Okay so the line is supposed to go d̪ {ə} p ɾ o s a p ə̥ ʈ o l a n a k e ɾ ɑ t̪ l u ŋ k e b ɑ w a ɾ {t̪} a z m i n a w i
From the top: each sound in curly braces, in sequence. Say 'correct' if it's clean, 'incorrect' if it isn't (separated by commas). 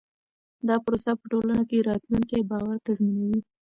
incorrect, correct